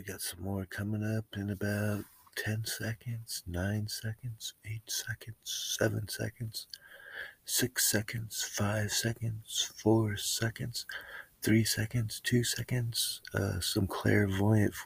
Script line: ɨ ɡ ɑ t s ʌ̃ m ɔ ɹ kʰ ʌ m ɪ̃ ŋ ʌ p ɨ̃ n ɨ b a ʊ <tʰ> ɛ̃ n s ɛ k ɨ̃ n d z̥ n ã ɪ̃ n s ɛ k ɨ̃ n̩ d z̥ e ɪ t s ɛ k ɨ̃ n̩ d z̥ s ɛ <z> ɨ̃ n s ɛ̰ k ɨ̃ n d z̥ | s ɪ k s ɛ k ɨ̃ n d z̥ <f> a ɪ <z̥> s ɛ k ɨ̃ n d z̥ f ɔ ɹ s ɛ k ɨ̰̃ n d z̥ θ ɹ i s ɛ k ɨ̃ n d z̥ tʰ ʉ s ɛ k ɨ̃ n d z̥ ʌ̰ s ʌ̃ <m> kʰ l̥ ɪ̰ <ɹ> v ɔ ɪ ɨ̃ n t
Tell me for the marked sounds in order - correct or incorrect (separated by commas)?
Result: correct, incorrect, correct, incorrect, correct, correct